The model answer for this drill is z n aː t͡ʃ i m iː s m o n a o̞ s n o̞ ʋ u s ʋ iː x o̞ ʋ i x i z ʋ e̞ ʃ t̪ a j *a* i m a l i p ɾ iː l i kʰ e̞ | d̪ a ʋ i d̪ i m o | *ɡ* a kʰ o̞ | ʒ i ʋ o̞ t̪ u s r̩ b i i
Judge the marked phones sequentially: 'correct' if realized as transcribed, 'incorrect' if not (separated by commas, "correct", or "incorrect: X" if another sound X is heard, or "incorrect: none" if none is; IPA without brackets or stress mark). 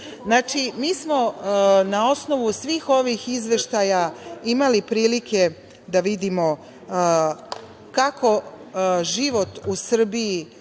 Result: correct, incorrect: k